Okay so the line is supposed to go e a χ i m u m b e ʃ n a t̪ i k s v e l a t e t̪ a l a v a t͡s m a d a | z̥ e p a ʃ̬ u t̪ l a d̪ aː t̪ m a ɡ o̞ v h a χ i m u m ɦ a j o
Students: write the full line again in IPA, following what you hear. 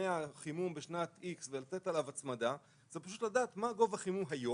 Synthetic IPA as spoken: e a χ i m u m b e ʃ n a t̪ i k s v e l a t e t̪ a l a v a t͡s m a d a | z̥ e p a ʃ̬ u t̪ l a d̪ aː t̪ m a ɡ o̞ v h a χ i m u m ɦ a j o